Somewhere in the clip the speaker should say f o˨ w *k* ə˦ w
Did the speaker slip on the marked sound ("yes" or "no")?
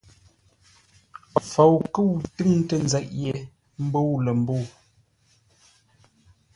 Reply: no